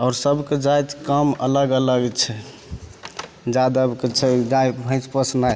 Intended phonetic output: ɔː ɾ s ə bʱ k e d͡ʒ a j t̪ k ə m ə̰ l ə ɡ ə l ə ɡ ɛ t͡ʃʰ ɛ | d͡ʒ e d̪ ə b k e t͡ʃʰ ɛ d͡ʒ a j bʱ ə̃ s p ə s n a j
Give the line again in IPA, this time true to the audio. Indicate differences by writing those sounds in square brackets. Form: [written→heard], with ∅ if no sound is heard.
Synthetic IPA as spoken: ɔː ɾ s ə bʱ k e d͡ʒ a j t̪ k ə m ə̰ l ə ɡ ə l ə ɡ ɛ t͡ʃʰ ɛ | d͡ʒ [e→a] d̪ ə b k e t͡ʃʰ ɛ d͡ʒ a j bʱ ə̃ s p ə s n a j